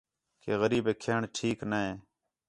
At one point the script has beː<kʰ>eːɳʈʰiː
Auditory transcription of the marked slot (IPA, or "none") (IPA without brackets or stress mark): kʰ